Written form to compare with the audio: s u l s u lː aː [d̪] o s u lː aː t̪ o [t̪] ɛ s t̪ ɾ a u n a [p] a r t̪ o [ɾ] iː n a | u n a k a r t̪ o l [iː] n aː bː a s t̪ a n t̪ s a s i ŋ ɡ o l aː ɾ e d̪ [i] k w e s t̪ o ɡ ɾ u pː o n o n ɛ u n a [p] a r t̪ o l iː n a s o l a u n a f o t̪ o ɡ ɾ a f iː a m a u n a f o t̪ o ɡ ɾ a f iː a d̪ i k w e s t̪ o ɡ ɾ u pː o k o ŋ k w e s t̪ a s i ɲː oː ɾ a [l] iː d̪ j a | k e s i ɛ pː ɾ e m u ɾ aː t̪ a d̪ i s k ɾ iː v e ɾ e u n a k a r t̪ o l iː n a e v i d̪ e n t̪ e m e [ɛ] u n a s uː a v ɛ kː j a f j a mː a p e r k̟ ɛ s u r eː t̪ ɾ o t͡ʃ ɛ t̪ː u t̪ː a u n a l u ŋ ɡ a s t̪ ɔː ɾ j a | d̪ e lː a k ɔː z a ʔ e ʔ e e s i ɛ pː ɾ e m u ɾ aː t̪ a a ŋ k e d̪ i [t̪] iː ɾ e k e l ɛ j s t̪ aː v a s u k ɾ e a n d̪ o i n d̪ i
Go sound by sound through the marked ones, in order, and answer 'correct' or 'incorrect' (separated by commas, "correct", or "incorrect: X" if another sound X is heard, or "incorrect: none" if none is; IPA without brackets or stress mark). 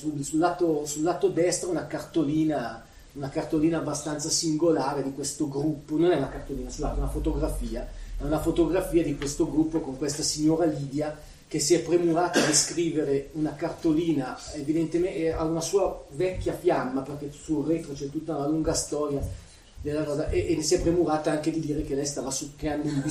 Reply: incorrect: t̪, incorrect: d̪, incorrect: k, incorrect: l, correct, correct, incorrect: k, correct, incorrect: a, incorrect: d̪